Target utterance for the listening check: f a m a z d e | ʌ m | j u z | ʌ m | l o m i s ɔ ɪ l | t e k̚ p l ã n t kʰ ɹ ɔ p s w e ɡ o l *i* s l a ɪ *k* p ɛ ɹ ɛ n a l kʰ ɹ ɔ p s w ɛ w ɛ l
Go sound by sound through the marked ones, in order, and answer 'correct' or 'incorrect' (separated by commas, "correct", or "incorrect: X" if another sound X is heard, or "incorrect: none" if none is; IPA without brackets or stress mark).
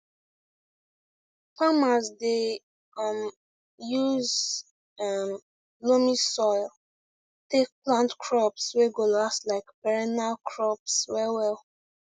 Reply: incorrect: a, correct